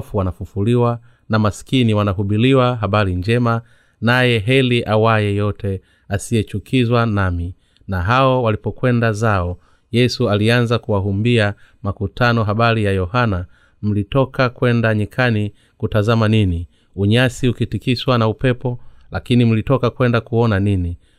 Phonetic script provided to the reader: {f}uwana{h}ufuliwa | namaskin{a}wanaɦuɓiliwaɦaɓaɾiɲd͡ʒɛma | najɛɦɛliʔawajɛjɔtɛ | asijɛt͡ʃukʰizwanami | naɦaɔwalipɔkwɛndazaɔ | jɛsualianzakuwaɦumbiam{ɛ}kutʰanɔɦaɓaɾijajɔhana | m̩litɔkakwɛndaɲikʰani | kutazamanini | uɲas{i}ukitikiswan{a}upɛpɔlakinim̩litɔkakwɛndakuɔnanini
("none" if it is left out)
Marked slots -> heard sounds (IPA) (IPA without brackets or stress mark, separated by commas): f, f, i, a, i, a